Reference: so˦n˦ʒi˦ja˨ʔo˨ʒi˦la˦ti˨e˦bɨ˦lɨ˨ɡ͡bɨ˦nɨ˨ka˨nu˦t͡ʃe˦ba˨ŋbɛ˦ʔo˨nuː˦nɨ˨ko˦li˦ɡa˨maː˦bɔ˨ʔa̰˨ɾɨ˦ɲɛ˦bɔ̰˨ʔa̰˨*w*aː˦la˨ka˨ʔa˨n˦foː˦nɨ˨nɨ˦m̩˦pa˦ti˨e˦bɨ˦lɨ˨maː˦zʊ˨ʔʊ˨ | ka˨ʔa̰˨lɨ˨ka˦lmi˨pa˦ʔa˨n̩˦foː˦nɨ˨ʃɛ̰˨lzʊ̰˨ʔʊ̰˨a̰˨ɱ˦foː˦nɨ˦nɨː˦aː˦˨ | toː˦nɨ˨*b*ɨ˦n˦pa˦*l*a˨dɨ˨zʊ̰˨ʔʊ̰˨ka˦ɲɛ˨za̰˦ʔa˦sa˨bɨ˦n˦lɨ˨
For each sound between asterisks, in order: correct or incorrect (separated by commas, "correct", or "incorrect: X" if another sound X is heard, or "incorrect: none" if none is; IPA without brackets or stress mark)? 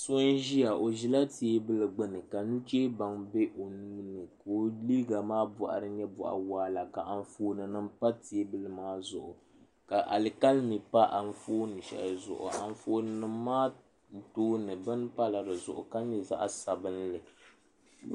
correct, correct, correct